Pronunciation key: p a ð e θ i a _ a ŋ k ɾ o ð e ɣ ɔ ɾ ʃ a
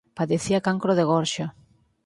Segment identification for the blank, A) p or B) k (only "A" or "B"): B